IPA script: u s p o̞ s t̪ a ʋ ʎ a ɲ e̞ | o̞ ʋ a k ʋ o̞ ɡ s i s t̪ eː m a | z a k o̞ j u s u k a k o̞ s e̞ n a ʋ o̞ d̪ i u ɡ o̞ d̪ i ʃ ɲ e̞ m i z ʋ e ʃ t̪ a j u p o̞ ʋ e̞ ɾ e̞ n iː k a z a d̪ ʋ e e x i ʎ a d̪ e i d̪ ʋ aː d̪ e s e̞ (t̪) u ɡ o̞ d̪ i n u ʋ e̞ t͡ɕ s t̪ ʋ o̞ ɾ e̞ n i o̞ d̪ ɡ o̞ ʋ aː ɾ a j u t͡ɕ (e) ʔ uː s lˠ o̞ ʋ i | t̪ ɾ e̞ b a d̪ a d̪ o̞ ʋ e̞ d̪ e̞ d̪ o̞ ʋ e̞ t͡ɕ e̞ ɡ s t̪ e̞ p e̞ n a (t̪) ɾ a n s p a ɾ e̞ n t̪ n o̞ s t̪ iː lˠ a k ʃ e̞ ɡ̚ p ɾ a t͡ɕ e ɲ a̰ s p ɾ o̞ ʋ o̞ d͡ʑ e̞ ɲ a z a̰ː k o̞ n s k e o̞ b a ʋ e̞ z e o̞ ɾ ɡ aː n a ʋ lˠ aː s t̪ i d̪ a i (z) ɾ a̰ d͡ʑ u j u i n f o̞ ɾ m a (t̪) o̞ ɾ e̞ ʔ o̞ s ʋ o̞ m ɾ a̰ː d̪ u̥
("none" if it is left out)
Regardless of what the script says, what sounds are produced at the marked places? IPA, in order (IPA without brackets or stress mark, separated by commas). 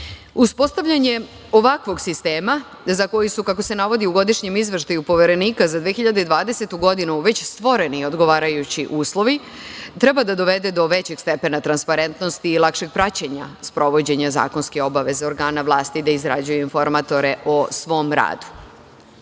t̪, i, t̪, z, t̪